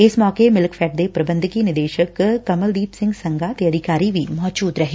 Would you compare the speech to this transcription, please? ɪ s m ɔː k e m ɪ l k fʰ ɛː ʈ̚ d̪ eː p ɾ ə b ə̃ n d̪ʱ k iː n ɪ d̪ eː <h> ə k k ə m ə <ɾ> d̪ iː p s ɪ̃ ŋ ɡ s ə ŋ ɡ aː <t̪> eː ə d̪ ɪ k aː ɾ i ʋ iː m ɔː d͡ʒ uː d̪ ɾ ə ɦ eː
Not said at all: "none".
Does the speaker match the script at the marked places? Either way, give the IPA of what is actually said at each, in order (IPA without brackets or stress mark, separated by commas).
ʃ, l, t̪